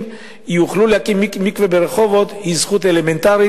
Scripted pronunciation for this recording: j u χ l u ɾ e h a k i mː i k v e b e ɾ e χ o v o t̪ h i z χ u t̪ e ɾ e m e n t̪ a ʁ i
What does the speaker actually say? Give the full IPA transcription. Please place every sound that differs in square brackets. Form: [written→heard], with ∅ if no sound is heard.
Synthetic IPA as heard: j u χ l u [ɾ→l] e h a k i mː i k v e b e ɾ e χ o v o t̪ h i z χ u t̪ e [ɾ→l] e m e n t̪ a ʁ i